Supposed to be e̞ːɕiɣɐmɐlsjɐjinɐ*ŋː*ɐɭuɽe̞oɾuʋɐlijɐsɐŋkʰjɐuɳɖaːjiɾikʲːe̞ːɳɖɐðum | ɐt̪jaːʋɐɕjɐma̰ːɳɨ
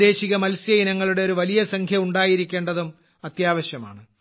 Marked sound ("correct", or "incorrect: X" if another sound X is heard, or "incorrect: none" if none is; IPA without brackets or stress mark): correct